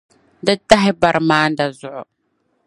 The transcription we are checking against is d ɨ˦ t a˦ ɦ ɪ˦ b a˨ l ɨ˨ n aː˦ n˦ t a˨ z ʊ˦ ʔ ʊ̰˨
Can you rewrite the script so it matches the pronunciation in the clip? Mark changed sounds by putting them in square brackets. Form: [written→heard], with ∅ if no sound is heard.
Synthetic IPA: d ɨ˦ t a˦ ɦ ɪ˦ b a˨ [l→ɾ] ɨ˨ [n→m] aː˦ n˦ [t→d] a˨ z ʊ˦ ʔ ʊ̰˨